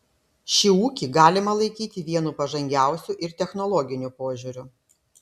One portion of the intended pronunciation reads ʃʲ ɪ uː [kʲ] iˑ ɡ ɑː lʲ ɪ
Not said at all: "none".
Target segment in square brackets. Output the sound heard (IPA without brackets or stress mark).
kʲ